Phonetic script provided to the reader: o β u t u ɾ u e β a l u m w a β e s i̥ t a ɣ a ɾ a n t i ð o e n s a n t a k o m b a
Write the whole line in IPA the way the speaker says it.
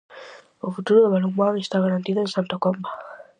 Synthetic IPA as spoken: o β u t u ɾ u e β a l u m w a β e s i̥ t a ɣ a ɾ a n t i ð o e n s a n t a k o m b a